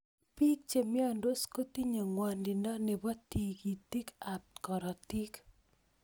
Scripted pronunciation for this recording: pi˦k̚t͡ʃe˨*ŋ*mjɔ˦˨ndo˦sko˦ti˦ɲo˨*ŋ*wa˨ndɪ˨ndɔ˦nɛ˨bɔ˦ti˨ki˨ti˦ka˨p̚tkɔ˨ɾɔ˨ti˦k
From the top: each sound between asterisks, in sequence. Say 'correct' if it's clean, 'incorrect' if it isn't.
incorrect: none, correct

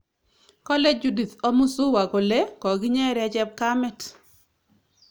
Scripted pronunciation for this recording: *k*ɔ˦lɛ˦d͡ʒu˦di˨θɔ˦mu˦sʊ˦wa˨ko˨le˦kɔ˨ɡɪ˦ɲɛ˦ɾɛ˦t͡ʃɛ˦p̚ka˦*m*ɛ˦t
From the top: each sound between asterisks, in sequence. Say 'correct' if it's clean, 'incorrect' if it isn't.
correct, correct

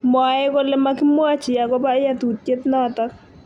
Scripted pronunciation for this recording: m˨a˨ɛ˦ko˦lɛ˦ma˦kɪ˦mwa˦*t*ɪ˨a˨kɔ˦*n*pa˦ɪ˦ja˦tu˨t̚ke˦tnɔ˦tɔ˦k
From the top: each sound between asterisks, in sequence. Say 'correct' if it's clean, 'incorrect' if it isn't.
incorrect: t͡ʃ, incorrect: none

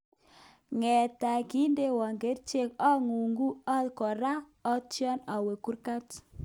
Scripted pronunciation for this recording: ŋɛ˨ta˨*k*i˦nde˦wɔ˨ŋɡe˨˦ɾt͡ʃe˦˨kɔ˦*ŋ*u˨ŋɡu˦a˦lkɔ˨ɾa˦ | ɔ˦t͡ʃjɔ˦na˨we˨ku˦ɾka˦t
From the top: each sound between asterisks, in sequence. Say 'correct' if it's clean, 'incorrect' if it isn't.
correct, correct

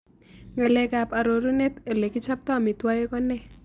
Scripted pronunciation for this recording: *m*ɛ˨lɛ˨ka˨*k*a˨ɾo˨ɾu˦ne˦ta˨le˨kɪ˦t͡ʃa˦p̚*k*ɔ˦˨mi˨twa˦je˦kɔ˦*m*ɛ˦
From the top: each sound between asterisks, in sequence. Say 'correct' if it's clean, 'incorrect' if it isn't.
incorrect: ŋ, incorrect: p, incorrect: t, incorrect: n

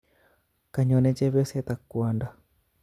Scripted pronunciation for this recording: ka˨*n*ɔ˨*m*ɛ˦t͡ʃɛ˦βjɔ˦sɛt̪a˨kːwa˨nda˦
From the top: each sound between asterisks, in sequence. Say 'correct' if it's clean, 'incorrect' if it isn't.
incorrect: ɲ, incorrect: n

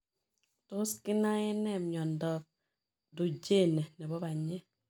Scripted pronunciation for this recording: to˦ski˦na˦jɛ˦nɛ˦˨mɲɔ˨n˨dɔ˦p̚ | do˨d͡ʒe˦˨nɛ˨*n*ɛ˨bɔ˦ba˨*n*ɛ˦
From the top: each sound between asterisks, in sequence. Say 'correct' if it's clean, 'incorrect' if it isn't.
correct, incorrect: ɲ

